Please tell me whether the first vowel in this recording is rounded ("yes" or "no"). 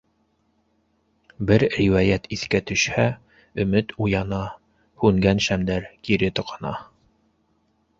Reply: no